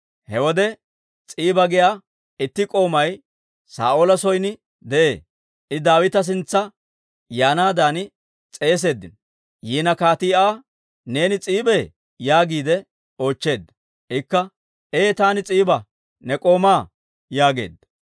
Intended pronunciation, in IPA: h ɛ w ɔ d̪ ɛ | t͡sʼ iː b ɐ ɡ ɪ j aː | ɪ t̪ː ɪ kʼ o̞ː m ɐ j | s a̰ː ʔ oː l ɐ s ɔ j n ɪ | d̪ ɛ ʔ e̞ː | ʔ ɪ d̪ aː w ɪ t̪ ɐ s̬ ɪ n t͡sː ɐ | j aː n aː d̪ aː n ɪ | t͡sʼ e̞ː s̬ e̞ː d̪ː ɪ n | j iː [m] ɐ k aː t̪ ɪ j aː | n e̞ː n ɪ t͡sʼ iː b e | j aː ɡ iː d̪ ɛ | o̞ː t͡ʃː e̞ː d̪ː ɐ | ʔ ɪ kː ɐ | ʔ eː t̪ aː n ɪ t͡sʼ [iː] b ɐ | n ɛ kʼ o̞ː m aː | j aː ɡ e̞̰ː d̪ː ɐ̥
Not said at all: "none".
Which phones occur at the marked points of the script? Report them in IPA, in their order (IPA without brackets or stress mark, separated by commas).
n, iː